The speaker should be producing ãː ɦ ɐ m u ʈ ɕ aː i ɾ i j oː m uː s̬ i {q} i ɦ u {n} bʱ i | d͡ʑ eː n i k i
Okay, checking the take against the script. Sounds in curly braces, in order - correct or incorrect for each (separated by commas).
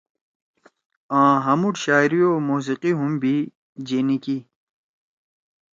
correct, incorrect